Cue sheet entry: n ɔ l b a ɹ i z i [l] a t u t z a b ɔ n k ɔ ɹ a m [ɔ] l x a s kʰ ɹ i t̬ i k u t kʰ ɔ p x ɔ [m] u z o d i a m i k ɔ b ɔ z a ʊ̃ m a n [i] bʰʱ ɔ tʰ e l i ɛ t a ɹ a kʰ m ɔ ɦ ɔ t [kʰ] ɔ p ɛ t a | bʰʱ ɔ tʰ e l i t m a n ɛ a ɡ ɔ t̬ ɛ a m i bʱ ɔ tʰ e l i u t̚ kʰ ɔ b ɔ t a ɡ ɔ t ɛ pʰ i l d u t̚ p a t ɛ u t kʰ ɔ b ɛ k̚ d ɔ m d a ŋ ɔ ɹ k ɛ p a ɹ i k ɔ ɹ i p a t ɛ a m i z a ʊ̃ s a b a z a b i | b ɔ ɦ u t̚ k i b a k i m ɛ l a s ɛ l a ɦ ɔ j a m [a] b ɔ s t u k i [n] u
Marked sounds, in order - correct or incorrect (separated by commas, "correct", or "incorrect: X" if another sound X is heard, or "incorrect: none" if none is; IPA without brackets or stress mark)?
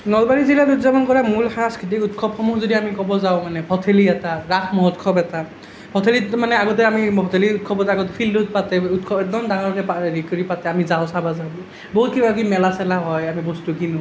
correct, incorrect: u, correct, incorrect: ɛ, correct, incorrect: i, correct